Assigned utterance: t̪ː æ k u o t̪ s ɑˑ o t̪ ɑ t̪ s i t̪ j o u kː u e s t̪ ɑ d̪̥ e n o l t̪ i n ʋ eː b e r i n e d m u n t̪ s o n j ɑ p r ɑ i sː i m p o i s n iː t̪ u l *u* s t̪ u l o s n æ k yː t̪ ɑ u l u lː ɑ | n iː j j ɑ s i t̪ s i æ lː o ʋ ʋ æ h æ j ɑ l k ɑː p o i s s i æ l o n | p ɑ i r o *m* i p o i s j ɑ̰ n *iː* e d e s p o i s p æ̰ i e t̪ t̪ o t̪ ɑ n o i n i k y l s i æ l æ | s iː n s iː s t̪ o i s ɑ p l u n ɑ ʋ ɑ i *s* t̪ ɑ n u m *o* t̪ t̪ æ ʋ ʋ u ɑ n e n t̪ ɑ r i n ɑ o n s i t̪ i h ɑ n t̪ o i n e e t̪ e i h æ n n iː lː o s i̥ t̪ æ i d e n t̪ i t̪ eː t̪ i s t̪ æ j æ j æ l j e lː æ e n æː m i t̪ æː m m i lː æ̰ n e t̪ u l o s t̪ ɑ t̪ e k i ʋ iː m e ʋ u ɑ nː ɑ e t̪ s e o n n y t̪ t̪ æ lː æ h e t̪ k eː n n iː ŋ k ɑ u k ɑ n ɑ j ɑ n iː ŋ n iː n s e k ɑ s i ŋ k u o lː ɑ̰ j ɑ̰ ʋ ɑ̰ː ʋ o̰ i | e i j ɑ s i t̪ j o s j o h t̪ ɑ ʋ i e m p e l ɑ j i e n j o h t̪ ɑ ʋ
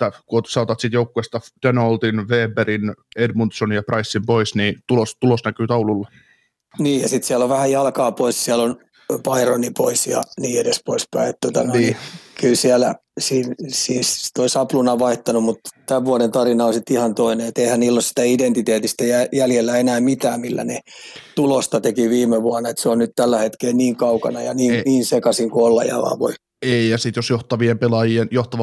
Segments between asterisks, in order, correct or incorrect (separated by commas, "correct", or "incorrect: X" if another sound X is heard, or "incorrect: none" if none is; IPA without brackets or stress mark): incorrect: o, incorrect: n, correct, incorrect: h, incorrect: u